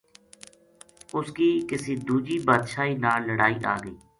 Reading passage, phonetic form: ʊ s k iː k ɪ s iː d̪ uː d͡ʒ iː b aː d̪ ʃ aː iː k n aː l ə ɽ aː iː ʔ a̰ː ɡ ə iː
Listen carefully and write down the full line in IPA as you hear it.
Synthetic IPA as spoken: ʊ s k iː k ɪ s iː d̪ uː d͡ʒ iː b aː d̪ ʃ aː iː n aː l ə ɽ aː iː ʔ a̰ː ɡ ə iː